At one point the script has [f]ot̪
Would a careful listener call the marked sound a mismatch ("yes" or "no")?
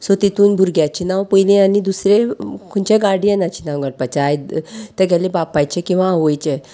yes